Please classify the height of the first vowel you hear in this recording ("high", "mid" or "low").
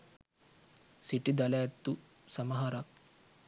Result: high